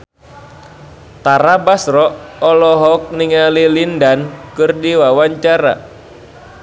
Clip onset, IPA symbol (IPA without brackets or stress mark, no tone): t̪